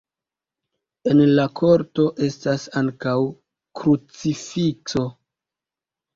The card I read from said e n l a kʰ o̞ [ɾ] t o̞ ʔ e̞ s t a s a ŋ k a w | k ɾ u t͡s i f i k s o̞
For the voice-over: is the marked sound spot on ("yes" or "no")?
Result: yes